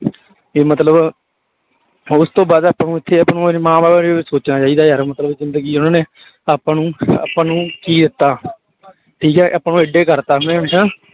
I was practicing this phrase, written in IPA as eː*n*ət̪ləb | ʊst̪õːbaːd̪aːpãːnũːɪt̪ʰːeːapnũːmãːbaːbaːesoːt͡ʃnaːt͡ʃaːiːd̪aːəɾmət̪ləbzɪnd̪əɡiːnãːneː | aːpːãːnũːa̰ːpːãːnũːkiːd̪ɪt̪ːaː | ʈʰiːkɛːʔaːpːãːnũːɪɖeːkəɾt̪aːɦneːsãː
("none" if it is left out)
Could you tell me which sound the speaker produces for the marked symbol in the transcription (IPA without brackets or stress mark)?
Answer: m